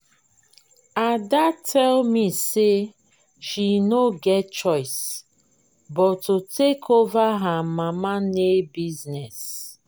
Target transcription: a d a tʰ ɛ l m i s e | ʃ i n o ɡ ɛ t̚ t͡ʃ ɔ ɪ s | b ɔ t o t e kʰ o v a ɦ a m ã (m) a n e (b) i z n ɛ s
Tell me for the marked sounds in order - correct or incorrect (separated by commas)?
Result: correct, correct